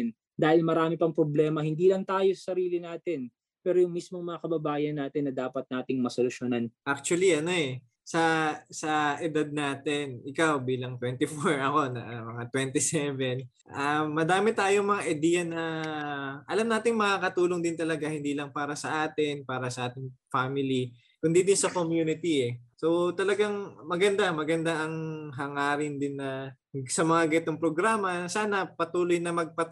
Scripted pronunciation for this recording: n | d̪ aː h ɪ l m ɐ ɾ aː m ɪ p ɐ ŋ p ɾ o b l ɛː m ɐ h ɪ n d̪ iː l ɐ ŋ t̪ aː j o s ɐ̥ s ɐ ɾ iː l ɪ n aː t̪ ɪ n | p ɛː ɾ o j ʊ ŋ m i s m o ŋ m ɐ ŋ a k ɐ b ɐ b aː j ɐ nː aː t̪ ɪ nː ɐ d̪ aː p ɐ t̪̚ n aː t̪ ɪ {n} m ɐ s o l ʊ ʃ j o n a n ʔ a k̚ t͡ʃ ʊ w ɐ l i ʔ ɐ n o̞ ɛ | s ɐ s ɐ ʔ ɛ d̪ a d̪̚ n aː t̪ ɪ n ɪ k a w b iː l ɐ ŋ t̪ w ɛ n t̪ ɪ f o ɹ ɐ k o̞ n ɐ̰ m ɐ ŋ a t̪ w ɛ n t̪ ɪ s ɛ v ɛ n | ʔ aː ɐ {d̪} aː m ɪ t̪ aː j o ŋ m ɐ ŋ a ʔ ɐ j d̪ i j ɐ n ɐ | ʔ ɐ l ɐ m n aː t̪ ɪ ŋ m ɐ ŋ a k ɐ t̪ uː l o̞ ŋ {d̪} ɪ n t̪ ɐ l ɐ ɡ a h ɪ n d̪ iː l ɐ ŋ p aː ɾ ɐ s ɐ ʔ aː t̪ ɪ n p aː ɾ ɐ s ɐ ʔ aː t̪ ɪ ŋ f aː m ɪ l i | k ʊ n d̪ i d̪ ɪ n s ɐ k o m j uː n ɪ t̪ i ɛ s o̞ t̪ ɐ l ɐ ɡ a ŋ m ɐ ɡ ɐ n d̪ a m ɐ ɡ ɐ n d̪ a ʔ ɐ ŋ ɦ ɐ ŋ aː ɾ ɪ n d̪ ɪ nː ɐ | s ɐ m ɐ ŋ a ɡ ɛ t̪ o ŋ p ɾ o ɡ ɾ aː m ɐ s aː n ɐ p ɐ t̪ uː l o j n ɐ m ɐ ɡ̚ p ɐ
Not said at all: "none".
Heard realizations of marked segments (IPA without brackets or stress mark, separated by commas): ŋ, d̪, d̪